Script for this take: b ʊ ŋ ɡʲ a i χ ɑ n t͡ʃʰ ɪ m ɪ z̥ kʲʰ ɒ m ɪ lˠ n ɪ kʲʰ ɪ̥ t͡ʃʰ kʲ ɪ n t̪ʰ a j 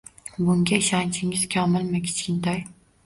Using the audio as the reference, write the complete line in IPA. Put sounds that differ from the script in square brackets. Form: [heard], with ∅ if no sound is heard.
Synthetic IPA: b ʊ ŋ ɡʲ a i [ʃ] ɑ n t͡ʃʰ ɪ [ŋ] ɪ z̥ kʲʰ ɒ m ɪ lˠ [m] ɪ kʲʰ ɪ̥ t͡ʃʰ kʲ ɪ n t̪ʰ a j